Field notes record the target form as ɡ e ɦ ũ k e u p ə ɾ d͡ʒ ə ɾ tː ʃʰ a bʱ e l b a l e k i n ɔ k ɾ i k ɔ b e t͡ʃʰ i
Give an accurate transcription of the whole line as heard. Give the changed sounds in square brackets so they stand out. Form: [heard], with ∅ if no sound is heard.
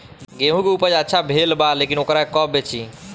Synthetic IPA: ɡ e ɦ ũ k e u p ə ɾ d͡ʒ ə [∅] tː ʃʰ a bʱ e l b a l e k i n [o] k ɾ [a] k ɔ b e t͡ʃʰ i